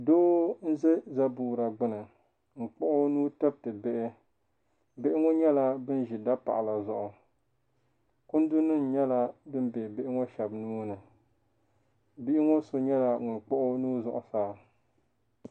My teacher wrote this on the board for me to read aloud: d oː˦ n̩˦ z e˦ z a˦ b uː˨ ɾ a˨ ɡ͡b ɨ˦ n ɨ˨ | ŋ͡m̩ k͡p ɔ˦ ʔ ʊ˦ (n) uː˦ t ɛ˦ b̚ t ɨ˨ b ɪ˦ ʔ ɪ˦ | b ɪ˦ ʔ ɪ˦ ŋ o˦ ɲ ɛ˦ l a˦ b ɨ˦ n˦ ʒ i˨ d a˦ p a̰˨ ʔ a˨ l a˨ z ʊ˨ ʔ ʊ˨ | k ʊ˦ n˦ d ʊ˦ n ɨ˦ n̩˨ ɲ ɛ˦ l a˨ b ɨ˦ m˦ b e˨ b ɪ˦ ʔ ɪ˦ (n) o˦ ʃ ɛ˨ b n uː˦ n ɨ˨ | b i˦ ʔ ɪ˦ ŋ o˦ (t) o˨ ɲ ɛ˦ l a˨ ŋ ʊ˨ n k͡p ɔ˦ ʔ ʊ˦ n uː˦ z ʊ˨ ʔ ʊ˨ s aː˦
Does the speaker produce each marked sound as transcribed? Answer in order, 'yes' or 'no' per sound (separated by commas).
yes, no, no